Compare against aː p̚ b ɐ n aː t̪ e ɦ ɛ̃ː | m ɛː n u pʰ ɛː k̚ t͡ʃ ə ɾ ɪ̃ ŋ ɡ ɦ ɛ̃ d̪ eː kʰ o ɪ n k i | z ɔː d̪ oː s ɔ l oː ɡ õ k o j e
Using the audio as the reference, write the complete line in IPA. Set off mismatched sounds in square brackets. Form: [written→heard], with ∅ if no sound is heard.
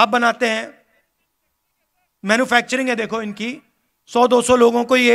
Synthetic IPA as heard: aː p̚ b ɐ n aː t̪ e ɦ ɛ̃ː | m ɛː n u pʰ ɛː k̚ t͡ʃ ə ɾ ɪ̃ ŋ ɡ ɦ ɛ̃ d̪ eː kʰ o ɪ n k i | [z→s] ɔː d̪ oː s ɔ l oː ɡ õ k o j e